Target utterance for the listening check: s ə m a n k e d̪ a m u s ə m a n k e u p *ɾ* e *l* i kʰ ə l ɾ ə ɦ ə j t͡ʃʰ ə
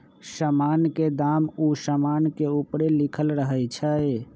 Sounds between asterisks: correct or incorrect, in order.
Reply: correct, correct

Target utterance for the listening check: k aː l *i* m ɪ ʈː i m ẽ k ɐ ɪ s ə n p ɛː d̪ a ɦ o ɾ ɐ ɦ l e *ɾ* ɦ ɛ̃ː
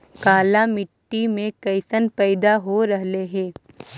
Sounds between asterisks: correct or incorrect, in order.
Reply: incorrect, incorrect

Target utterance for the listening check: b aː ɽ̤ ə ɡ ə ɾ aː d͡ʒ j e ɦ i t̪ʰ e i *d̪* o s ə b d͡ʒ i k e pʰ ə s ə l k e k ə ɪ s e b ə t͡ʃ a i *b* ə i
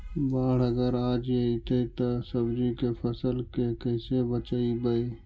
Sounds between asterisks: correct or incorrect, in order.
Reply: incorrect, correct

